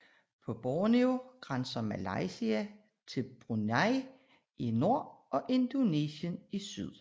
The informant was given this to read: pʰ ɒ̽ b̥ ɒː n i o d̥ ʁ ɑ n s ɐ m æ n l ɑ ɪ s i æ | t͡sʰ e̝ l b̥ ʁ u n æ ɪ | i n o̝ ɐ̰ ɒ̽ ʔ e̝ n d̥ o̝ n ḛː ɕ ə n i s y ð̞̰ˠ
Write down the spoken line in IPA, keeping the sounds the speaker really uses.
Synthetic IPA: pʰ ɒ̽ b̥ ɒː n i o ɡ̥ ʁ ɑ n s ɐ m æ l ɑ ɪ s i æ | t͡sʰ e̝ l b̥ ʁ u n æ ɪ | i n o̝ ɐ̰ ɒ̽ ʔ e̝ n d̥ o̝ n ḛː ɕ ə n i s y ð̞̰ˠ